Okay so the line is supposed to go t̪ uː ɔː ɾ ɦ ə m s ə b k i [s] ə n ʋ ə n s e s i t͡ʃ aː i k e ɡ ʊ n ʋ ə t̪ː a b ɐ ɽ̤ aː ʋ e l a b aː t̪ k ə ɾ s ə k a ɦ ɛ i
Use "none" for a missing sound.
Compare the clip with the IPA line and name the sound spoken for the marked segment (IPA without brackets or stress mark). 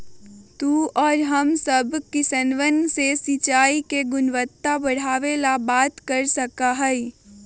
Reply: s